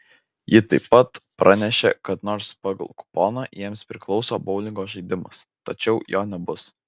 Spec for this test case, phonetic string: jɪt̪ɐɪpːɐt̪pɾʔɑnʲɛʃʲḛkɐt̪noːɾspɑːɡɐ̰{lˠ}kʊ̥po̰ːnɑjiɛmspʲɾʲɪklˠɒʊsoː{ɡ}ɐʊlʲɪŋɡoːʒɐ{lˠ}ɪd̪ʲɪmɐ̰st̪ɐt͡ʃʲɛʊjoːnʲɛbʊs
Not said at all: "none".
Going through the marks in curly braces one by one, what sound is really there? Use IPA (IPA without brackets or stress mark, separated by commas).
lˠ, b, none